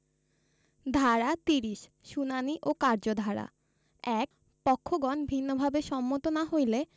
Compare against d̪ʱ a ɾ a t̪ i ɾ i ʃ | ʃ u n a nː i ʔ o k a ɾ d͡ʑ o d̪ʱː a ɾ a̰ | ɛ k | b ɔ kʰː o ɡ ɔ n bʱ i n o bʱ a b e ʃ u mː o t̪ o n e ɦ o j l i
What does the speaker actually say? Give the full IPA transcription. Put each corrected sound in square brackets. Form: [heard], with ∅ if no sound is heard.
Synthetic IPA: d̪ʱ a ɾ a t̪ i ɾ i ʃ | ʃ u n a [n] i ʔ o k a ɾ d͡ʑ o [d̪ʱ] a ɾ a̰ | ɛ k | [p] ɔ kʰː o ɡ ɔ n bʱ i [nː] o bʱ a b e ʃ [ɔ] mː o t̪ o n [a] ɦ o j l [e]